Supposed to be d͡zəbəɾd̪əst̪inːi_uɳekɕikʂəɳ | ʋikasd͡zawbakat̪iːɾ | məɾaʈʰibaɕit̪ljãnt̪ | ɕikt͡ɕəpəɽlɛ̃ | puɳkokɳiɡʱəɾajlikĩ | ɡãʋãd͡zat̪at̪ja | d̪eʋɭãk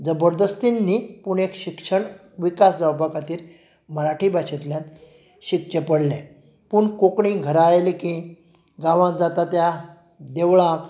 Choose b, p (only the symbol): p